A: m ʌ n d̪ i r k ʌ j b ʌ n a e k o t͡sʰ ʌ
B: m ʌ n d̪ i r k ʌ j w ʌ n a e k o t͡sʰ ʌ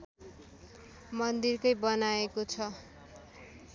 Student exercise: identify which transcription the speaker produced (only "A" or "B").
A